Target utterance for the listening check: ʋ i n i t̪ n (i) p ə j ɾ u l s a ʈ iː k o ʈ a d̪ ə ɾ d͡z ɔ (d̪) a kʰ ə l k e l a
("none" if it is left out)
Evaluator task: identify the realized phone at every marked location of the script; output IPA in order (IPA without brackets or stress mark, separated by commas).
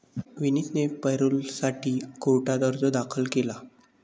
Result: e, d̪